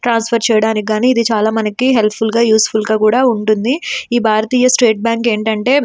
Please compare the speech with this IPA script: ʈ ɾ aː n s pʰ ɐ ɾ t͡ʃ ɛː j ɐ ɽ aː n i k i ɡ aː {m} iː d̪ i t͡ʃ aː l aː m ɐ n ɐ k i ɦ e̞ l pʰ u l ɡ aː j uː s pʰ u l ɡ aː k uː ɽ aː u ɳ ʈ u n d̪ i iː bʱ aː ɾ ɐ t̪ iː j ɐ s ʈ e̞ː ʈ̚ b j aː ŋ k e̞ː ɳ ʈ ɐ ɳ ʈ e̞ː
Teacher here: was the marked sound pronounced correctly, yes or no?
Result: no